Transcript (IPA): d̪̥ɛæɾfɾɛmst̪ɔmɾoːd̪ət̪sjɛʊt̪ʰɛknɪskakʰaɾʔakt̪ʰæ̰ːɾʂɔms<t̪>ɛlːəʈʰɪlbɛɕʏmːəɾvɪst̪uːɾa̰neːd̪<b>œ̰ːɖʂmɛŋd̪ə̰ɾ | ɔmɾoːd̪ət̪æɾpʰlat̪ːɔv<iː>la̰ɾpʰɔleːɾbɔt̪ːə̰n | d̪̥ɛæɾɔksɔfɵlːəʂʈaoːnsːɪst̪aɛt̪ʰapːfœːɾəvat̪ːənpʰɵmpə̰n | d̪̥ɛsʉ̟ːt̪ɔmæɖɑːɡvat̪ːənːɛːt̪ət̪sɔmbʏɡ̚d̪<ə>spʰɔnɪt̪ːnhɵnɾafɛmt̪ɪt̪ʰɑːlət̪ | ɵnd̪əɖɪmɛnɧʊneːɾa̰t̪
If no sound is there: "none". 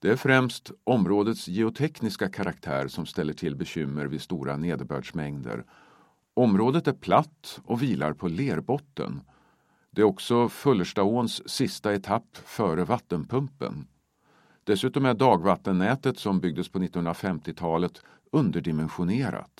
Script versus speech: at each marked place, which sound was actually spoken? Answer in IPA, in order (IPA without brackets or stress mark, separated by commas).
t̪, b, iː, ə